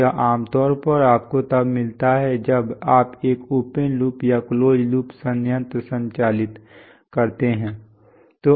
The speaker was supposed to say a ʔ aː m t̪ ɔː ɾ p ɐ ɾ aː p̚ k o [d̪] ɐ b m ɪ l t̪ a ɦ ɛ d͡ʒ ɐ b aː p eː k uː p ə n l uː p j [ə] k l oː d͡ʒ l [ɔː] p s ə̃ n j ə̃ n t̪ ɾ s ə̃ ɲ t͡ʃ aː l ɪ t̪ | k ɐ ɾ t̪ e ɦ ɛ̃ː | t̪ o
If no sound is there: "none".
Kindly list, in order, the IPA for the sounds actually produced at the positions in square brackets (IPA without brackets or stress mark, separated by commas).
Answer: t̪, a, uː